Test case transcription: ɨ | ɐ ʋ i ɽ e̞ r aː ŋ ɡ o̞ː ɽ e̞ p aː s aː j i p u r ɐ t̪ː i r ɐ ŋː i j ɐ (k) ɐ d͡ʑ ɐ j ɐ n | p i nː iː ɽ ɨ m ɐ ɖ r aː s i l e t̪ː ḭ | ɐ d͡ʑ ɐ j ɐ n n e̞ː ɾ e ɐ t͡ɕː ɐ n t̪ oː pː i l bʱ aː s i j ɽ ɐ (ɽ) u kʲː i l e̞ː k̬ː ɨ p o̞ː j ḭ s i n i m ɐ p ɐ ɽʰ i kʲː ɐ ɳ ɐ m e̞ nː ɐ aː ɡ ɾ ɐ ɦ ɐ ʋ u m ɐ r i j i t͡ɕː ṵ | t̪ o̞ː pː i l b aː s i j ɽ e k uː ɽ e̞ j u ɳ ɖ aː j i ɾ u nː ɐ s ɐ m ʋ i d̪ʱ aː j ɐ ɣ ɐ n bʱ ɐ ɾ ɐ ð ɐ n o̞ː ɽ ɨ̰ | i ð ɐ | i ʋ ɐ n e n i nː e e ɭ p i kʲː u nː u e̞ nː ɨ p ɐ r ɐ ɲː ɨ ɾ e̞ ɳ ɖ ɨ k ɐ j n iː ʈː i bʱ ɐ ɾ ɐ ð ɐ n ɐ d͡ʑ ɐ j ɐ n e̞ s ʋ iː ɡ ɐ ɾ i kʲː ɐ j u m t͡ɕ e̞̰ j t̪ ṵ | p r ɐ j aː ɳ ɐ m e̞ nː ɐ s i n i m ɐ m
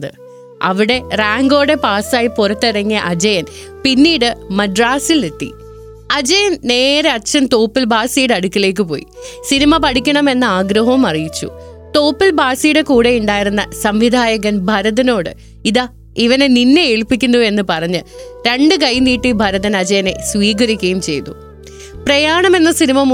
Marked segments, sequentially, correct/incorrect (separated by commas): incorrect, correct